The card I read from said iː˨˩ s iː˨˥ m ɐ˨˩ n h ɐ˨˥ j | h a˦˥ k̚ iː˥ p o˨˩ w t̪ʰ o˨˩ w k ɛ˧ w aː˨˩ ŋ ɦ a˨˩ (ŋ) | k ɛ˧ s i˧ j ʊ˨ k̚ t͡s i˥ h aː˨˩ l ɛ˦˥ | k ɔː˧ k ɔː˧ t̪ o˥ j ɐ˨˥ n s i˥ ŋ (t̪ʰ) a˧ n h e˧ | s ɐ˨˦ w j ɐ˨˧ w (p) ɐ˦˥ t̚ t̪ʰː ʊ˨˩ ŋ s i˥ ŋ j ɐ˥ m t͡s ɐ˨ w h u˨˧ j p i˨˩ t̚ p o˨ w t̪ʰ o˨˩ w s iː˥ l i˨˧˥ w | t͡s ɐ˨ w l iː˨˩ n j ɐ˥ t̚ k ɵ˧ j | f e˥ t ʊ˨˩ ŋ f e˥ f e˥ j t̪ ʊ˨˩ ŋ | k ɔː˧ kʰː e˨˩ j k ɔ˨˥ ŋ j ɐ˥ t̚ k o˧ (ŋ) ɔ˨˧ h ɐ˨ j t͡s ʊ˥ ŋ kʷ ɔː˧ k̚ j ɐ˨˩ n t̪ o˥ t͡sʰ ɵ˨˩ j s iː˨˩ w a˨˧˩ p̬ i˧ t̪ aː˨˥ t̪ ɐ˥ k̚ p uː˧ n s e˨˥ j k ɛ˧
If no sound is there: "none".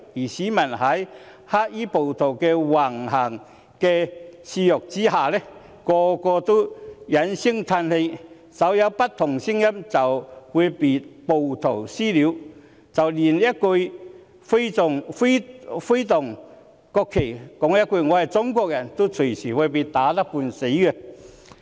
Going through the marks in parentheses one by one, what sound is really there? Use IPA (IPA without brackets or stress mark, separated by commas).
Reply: ŋ, t̪ʰ, p, ŋ